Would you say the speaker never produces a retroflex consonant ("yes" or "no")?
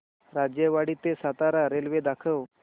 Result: no